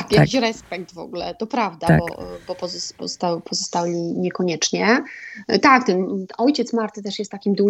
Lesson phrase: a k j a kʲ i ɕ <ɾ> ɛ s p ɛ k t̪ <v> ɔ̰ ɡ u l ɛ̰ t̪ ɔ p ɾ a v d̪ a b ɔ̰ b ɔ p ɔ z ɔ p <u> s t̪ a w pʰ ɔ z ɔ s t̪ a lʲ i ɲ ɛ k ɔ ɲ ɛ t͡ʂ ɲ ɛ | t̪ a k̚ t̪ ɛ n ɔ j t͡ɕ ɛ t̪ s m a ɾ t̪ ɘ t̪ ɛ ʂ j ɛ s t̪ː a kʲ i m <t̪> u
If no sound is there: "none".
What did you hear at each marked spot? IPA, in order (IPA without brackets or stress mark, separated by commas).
ɾ, v, ɔ, d̪